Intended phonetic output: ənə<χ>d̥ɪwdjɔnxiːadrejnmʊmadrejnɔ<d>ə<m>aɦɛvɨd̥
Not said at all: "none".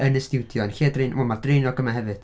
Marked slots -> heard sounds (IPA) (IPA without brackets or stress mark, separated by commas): s, ɡ, m